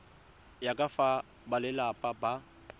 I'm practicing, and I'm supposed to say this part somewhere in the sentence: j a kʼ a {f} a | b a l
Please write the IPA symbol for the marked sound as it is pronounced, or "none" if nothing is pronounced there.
f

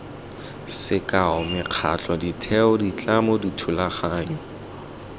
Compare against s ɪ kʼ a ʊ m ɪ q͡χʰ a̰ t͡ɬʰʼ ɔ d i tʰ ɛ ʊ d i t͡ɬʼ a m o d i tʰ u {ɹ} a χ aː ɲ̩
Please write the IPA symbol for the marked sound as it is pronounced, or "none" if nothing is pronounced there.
l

